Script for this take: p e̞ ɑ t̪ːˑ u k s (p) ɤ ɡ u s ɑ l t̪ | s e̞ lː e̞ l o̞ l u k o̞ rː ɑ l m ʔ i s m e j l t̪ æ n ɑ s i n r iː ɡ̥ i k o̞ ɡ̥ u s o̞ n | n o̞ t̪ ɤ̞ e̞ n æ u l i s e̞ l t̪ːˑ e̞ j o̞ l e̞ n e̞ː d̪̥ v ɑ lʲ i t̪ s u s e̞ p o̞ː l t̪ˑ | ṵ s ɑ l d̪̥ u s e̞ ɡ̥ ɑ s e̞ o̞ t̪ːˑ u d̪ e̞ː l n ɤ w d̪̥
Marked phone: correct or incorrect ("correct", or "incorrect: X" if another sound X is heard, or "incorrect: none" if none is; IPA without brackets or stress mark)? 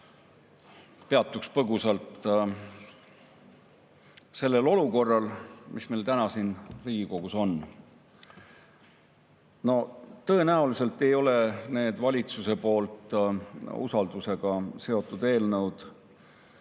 correct